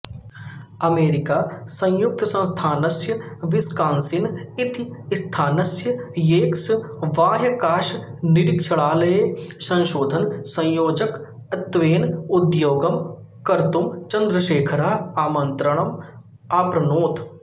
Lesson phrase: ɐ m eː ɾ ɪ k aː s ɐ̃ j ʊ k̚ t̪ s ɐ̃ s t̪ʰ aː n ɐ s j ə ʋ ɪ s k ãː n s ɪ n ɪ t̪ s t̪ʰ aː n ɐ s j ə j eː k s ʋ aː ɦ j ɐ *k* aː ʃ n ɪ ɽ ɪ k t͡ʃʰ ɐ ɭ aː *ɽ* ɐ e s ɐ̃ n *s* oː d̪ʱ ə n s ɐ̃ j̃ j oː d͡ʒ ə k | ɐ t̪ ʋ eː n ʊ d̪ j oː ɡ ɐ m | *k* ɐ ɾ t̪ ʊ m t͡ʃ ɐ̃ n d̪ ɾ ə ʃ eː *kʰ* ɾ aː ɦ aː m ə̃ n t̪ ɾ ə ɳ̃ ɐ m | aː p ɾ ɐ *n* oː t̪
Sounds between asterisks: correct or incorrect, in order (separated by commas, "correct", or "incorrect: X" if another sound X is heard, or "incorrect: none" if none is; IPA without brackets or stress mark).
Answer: correct, incorrect: l, incorrect: ʃ, correct, correct, correct